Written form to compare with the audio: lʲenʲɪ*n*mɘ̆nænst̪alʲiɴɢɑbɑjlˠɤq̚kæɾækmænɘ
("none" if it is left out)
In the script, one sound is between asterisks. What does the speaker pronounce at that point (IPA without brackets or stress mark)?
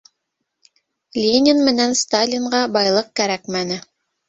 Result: n